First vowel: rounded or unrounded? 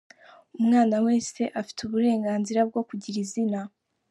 rounded